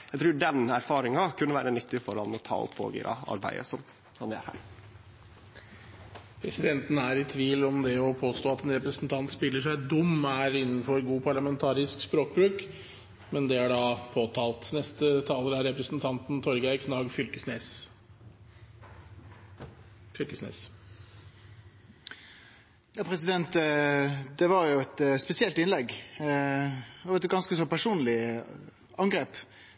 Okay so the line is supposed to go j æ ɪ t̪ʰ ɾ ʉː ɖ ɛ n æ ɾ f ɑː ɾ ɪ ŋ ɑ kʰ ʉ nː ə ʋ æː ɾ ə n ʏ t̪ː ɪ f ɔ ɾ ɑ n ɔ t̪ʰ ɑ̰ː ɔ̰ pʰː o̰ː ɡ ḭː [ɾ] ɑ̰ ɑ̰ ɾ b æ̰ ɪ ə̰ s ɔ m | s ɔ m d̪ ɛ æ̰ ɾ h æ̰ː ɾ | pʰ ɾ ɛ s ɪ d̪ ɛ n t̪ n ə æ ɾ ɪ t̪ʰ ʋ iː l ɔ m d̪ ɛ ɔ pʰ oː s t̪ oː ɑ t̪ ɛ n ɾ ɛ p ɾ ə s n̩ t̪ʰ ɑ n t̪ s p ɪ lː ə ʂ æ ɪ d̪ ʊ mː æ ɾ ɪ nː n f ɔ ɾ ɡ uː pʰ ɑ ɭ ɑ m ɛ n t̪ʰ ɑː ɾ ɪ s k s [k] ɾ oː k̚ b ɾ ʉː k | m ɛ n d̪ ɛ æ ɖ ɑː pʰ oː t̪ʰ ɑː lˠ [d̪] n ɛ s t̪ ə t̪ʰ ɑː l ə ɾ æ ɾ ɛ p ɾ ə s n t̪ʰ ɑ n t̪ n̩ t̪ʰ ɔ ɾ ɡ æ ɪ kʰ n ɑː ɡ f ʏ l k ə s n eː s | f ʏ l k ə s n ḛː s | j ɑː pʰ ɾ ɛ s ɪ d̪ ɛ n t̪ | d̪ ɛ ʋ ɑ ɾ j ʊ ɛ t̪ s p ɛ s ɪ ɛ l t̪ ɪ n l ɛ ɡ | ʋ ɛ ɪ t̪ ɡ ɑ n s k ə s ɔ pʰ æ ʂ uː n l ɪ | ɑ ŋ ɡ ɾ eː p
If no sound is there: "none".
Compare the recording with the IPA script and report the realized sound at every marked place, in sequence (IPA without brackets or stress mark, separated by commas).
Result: ɾ, p, t̪